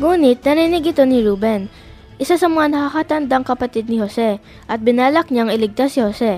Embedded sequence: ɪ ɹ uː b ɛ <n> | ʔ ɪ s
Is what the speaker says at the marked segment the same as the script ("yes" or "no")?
yes